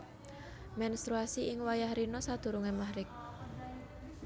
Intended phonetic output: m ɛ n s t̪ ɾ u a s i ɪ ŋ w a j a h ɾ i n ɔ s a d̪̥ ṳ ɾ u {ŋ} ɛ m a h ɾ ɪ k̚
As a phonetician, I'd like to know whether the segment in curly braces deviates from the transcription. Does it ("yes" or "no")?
no